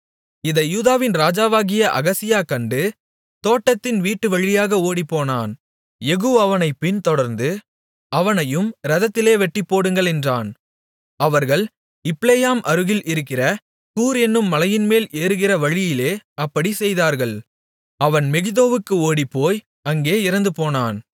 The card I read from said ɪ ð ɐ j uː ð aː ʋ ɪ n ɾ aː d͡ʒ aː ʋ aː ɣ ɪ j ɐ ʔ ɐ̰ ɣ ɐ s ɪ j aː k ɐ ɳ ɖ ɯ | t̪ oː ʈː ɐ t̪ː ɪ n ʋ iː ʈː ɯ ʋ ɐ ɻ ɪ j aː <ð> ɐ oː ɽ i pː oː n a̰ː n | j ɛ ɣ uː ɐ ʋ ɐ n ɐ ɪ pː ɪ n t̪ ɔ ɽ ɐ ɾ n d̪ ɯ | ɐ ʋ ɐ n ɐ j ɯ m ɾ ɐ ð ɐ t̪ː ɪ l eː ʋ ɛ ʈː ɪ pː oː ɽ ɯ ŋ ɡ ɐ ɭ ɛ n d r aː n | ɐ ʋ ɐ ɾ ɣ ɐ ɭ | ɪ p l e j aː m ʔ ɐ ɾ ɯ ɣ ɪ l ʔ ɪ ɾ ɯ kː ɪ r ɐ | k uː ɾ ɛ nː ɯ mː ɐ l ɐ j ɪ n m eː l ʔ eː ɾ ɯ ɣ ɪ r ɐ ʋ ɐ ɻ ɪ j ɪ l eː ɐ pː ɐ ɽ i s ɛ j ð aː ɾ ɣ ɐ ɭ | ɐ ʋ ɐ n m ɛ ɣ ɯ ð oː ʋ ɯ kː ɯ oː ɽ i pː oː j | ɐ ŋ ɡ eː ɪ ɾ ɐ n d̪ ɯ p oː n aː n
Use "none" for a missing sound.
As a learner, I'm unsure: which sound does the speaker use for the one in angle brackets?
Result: ɣ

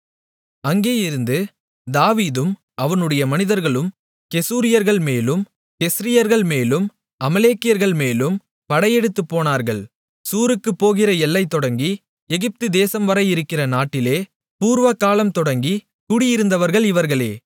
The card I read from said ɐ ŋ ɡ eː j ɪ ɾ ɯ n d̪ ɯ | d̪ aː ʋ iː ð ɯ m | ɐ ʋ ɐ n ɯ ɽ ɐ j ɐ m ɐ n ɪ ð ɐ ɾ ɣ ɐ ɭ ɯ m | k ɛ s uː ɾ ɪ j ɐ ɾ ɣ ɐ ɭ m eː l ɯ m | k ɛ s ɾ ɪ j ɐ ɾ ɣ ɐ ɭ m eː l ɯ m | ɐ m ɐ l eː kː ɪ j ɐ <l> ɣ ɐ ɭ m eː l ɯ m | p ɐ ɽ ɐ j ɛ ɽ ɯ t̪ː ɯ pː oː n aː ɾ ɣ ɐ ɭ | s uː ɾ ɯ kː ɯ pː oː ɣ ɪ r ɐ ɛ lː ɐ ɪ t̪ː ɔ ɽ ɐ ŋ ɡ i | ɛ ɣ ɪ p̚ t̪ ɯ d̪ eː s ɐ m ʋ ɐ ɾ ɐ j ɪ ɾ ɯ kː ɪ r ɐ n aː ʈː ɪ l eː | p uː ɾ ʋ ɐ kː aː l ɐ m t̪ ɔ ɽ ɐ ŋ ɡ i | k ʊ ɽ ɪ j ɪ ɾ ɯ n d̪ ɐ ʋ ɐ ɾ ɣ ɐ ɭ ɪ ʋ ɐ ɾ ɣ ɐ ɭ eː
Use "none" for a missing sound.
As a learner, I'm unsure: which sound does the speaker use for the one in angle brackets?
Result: ɾ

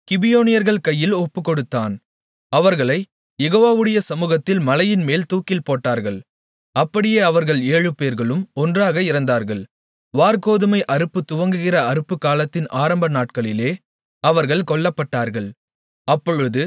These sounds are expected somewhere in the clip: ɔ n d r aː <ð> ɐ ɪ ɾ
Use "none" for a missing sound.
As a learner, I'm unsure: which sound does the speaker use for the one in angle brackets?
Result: ɣ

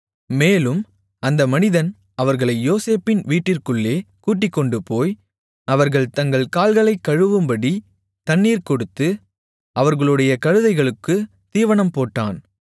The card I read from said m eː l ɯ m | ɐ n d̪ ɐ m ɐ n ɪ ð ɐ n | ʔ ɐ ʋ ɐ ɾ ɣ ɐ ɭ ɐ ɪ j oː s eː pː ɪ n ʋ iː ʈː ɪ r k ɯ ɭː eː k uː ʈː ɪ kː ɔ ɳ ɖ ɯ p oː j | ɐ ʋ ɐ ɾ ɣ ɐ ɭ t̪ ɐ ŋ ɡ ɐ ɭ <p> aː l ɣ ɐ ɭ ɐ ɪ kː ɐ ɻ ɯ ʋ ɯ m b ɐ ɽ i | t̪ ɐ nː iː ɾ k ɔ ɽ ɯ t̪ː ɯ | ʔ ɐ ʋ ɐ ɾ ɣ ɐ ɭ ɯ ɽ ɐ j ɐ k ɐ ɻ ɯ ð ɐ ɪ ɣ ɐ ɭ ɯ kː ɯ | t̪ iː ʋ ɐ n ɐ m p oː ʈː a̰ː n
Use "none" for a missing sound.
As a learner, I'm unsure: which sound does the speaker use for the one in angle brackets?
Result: k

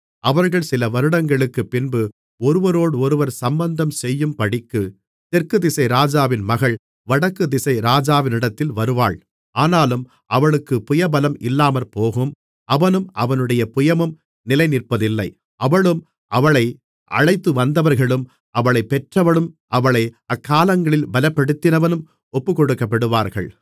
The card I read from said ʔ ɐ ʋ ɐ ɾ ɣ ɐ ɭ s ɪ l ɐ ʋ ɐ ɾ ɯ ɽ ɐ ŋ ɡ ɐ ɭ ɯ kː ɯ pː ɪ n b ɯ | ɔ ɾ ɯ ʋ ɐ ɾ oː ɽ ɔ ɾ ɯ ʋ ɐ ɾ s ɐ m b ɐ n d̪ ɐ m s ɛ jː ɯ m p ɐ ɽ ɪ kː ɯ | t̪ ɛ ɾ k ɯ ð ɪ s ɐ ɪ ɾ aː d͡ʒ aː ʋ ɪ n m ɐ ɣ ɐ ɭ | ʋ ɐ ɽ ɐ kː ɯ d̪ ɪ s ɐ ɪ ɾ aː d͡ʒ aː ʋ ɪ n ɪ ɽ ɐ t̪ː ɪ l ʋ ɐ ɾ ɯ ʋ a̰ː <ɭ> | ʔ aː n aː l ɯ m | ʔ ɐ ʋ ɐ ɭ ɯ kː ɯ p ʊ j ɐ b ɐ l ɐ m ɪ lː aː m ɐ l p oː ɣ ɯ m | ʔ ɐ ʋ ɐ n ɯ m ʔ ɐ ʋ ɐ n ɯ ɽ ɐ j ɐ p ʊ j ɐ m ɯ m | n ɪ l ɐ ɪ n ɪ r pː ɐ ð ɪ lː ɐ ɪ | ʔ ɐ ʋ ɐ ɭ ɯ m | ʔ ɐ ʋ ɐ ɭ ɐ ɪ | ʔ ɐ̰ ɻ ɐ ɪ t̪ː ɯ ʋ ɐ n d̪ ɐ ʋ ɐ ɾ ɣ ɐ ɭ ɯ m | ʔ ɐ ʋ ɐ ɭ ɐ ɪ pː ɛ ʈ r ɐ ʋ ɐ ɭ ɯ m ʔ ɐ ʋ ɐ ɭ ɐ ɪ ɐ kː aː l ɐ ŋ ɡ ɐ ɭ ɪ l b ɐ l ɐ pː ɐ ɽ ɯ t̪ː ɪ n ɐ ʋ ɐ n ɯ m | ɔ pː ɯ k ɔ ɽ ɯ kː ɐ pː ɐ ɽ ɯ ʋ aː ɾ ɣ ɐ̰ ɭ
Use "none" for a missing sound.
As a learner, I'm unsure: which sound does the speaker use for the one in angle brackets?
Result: ɭ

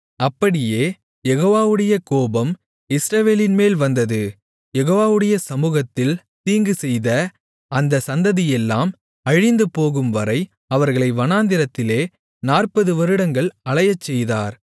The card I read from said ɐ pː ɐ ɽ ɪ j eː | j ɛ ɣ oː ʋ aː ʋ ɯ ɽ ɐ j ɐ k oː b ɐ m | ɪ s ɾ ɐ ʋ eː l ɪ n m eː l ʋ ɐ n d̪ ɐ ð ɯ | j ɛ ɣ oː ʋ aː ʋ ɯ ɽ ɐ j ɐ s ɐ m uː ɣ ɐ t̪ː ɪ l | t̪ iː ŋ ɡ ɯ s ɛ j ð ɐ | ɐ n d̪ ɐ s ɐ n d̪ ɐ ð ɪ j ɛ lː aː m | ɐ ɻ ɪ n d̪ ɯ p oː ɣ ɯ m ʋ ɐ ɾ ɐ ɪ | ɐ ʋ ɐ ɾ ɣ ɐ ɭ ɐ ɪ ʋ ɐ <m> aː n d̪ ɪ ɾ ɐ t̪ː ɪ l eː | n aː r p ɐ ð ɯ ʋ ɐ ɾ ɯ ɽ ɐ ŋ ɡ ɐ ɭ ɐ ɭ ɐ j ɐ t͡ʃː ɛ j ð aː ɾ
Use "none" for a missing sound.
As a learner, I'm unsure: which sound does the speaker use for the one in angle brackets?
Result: n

